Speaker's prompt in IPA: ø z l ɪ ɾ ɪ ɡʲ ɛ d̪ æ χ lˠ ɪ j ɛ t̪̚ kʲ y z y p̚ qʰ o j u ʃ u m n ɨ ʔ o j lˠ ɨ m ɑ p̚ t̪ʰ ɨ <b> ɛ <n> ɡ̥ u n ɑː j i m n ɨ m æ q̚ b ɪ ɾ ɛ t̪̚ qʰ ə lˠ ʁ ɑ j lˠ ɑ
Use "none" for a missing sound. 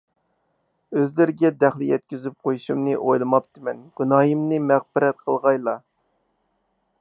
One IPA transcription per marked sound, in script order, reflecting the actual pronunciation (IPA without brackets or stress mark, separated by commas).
m, n